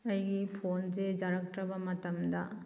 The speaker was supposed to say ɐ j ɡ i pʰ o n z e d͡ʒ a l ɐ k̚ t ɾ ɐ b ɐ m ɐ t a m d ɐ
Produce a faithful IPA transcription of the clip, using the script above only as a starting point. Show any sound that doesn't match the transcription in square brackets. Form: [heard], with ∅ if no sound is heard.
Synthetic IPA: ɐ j ɡ i pʰ o n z e d͡ʒ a [ɾ] ɐ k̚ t ɾ ɐ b ɐ m ɐ t [ɐ] m d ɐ